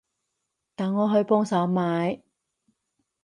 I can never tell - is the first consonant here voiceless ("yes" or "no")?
yes